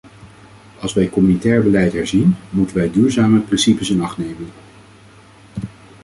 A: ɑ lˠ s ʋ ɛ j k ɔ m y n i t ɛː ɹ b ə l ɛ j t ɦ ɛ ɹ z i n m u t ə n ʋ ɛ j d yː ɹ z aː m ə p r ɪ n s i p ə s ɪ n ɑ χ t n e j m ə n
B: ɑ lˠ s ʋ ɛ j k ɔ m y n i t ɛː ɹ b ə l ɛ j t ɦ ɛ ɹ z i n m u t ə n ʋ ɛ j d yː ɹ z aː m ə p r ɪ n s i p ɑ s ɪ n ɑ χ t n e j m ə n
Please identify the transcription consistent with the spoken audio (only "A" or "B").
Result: A